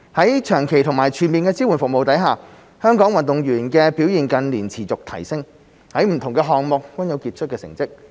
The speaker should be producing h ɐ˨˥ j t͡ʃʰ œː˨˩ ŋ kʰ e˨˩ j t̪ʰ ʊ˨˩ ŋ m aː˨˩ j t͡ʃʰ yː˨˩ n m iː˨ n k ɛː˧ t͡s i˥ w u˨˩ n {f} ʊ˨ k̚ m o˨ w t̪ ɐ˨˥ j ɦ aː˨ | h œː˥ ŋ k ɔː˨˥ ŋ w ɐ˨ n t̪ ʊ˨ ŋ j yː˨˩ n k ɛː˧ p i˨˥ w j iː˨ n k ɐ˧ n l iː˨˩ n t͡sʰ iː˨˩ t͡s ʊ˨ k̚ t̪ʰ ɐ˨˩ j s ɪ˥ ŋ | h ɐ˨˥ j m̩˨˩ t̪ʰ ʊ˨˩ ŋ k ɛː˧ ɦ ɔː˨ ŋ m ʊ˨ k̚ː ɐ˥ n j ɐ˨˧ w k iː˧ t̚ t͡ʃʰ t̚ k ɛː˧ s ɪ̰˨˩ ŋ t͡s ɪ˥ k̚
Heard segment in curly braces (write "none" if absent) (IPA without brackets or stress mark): f